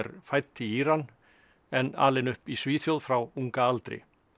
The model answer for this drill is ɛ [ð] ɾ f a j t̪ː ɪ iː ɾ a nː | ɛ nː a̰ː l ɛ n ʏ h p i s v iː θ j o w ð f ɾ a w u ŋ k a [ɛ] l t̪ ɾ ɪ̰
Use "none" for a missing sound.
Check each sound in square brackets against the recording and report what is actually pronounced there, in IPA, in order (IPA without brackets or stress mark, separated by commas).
none, a